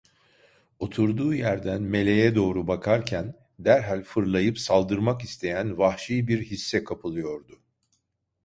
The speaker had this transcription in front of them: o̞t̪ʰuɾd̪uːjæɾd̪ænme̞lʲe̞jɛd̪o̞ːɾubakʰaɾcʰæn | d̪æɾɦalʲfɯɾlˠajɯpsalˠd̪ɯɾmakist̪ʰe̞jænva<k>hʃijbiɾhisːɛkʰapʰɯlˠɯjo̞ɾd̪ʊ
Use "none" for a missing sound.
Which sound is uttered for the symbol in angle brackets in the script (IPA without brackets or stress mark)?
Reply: none